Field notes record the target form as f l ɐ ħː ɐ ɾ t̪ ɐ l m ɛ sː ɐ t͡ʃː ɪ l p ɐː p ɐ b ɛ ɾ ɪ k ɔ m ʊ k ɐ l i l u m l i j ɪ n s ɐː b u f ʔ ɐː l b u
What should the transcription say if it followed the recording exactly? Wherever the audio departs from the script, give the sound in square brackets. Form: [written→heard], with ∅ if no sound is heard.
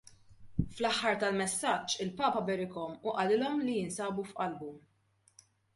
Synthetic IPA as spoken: f l ɐ ħː ɐ ɾ t̪ ɐ l m ɛ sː ɐ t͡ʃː ɪ l p ɐː p ɐ b ɛ ɾ ɪ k ɔ m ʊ [k→ʔ] ɐ l [i→ɪ] l [u→ɔ] m l i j ɪ n s ɐː b u f ʔ [ɐː→ɐ] l b u